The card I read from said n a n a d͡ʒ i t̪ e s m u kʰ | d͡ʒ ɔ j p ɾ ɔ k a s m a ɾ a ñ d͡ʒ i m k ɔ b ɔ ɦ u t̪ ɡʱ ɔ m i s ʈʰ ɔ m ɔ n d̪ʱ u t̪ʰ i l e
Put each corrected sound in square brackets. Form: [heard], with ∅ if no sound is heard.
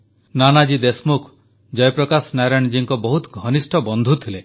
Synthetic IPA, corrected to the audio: n a n a d͡ʒ i [d̪] e s m u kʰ | d͡ʒ ɔ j p ɾ ɔ k a s [n] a ɾ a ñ d͡ʒ i [ŋ] k ɔ b ɔ ɦ u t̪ ɡʱ ɔ [n] i s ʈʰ ɔ [b] ɔ n d̪ʱ u t̪ʰ i l e